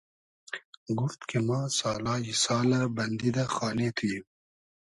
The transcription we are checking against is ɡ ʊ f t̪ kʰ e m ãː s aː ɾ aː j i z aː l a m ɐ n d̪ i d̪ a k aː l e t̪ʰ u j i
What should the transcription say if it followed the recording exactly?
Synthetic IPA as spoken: ɡ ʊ f t̪ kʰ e m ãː s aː l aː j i s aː l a b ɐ n d̪ i d̪ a x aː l e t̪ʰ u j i